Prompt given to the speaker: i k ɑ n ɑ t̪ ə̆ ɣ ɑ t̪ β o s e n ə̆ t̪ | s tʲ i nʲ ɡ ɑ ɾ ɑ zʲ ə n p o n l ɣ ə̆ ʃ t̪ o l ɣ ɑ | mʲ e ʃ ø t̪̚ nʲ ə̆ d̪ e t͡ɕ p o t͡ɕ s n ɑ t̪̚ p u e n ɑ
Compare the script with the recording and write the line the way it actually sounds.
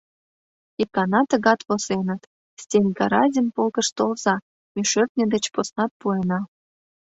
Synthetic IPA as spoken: i k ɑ n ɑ t̪ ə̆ ɣ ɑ t̪ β o s e n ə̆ t̪ | s tʲ e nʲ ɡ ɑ ɾ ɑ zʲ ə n p o l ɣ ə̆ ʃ t̪ o l z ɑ | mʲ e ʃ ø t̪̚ nʲ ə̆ d̪ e t͡ɕ p o s n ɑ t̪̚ p u e n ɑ

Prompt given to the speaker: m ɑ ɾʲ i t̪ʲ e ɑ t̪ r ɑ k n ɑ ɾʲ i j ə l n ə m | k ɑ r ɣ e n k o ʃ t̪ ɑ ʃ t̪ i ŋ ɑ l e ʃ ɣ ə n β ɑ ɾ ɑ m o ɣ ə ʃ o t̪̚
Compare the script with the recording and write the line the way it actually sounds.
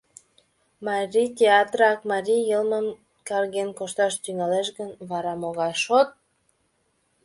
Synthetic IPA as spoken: m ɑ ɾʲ i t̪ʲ e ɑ t̪ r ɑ k m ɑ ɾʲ i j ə l m ə m | k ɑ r ɣ e n k o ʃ t̪ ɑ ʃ t̪ y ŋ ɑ l e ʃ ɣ ə n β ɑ ɾ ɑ m o ɣ ɑ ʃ o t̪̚

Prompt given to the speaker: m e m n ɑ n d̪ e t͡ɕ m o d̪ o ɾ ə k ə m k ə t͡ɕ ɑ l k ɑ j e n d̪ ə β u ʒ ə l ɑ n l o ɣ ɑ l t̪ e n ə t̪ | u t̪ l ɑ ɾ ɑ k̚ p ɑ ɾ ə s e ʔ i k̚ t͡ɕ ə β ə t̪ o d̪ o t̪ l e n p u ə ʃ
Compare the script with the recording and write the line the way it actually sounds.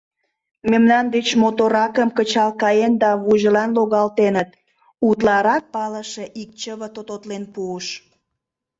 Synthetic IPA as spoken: m e m n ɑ n d̪ e t͡ɕ m o t̪ o ɾ ɑ k ə m k ə t͡ɕ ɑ l k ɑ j e n d̪ ɑ β u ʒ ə l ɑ n l o ɣ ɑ l t̪ e n ə t̪ | u t̪ l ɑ ɾ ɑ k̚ p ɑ l ə ʃ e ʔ i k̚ t͡ɕ ə β ə t̪ o t̪ o t̪ l e n p u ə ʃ

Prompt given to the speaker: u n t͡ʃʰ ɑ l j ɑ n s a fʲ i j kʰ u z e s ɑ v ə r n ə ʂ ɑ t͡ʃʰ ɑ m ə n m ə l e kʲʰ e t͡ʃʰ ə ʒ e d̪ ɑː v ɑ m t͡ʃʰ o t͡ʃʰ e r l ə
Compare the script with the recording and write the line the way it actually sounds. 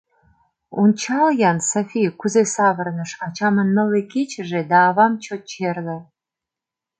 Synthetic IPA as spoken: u n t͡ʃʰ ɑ l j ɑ n s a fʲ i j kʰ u z e s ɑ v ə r n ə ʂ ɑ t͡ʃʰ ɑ m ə n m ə l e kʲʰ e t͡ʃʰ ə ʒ e d̪ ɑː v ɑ m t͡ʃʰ o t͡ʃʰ e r l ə

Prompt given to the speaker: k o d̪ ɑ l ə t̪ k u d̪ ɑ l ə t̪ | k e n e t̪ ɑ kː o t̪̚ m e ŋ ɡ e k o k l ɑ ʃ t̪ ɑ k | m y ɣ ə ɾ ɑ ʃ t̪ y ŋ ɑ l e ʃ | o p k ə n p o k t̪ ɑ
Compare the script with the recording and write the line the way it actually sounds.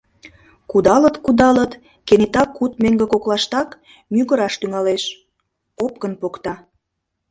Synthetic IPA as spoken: k u d̪ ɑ l ə t̪ k u d̪ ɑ l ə t̪ | k e n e t̪ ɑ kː u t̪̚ m e ŋ ɡ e k o k l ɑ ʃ t̪ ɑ k | m y ɣ ə ɾ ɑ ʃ t̪ y ŋ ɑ l e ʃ | o p k ə n p o k t̪ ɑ

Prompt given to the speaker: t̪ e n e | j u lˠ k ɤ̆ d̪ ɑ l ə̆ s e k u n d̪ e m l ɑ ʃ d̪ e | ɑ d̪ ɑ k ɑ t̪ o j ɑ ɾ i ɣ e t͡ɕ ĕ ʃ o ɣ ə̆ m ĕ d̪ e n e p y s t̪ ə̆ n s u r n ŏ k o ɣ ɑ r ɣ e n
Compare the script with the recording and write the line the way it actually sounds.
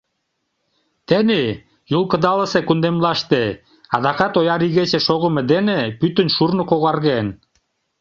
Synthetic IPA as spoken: t̪ e n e | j u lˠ k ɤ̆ d̪ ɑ l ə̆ s e k u n d̪ e m l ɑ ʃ t̪ e | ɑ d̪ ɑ k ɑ t̪ o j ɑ ɾ i ɣ e t͡ɕ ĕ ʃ o ɣ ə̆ m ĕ d̪ e n e p y t̪ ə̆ n ʃ u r n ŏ k o ɣ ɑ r ɣ e n

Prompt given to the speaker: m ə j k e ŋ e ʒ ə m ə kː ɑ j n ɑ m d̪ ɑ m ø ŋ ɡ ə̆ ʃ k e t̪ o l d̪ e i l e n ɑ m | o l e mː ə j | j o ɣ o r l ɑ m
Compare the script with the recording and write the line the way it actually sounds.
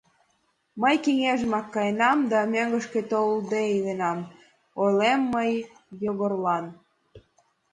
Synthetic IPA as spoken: m ə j k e ŋ e ʒ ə m ɑ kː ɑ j n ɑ m d̪ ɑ m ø ŋ ɡ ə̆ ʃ k e t̪ o l d̪ e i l e n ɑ m | o l e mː ə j | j o ɣ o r l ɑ n

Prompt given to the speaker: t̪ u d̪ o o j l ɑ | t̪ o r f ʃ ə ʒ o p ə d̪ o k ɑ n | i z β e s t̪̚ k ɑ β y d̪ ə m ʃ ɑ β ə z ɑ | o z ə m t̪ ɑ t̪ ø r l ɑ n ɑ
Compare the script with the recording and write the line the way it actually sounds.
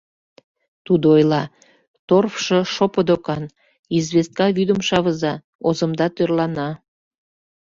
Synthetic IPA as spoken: t̪ u d̪ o o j l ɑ | t̪ o r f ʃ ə ʃ o p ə d̪ o k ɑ n | i z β e s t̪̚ k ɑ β y d̪ ə m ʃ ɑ β ə z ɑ | o z ə m d̪ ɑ t̪ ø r l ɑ n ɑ

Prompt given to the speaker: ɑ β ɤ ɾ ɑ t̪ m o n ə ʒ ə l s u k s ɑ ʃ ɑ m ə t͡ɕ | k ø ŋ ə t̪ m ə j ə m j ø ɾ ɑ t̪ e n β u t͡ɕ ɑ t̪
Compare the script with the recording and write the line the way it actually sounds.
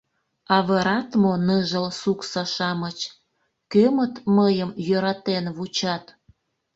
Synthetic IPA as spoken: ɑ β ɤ ɾ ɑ t̪ m o n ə ʒ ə l s u k s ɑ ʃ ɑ m ə t͡ɕ | k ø m ə t̪ m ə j ə m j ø ɾ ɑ t̪ e n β u t͡ɕ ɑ t̪

